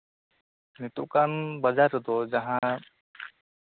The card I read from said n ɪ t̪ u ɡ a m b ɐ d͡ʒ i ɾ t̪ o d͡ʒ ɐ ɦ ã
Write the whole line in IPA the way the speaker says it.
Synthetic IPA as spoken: n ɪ t̪ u k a n b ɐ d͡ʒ a ɾ d̪ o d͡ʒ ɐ ɦ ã